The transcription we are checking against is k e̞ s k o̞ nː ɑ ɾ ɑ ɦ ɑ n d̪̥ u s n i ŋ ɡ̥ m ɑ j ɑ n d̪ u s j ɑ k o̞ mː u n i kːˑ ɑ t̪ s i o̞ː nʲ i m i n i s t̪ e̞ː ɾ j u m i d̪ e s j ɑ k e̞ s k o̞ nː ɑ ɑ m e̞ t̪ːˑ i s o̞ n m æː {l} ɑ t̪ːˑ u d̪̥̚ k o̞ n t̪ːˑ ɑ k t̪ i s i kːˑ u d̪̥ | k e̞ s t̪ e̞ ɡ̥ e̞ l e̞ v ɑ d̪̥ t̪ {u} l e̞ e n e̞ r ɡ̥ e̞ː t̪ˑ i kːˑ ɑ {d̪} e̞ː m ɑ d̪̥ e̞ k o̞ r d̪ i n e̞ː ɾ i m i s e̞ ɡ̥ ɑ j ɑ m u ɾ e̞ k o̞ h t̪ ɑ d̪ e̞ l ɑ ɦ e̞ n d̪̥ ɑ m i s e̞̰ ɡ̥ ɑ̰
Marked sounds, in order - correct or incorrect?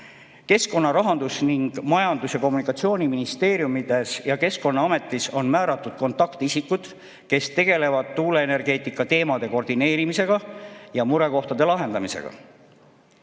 incorrect: ɾ, incorrect: uː, incorrect: t̪

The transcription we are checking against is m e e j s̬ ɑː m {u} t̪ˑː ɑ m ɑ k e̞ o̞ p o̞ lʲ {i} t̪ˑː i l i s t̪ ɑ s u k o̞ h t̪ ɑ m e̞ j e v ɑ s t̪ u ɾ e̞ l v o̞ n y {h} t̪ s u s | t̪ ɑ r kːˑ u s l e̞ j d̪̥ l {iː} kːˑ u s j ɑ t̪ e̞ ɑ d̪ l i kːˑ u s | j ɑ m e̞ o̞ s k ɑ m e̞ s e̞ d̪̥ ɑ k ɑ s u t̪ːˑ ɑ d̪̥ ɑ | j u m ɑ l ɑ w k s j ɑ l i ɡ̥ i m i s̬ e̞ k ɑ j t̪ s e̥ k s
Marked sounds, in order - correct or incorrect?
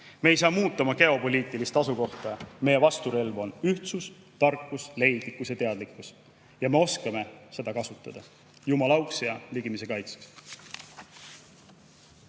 incorrect: uː, incorrect: iː, correct, incorrect: i

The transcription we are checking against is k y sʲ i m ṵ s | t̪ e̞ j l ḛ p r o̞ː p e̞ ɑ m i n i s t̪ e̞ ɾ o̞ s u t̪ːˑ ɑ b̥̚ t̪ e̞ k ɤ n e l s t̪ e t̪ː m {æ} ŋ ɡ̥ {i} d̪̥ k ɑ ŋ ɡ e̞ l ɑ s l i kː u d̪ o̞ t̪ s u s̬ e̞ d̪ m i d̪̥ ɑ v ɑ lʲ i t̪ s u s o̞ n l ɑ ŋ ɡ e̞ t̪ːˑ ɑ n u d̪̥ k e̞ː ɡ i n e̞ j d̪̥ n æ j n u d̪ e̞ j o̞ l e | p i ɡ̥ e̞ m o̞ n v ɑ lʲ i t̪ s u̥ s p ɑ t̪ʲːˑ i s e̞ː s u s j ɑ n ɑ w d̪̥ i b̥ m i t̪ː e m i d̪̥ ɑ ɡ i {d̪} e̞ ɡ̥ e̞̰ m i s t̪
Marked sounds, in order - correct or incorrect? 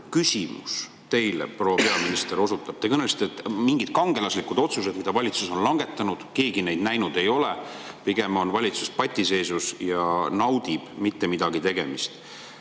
incorrect: i, correct, incorrect: t̪

